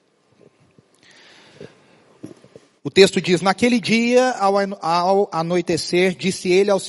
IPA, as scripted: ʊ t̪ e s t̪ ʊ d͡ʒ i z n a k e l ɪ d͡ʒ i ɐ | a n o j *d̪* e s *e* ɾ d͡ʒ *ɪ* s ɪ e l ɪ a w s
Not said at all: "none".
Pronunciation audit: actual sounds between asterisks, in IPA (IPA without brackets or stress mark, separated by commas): t̪, e, i